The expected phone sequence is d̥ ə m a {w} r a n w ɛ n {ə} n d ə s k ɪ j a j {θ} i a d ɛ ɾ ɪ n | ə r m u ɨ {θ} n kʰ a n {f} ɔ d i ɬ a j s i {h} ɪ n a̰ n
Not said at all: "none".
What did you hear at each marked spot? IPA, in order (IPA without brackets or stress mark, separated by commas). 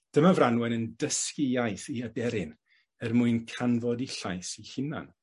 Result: v, ə, θ, none, v, h